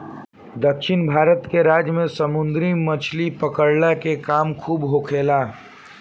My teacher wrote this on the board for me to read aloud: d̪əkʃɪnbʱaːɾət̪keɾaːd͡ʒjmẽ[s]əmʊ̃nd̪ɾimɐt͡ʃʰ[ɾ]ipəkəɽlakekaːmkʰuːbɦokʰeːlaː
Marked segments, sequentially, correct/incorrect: correct, incorrect: l

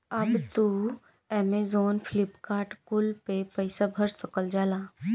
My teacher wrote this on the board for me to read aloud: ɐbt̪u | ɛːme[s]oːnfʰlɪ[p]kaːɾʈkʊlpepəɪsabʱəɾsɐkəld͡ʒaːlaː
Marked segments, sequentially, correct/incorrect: incorrect: z, correct

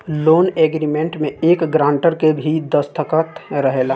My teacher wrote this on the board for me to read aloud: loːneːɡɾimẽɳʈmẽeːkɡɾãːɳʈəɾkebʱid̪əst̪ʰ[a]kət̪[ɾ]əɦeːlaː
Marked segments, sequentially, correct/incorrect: incorrect: ə, correct

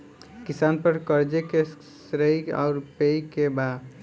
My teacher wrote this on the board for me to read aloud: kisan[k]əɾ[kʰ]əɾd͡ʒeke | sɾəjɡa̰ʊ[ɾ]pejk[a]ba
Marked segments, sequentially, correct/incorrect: incorrect: p, incorrect: k, correct, incorrect: e

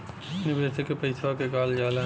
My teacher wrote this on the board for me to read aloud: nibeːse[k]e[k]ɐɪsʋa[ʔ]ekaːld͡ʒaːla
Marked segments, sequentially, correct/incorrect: correct, incorrect: p, incorrect: k

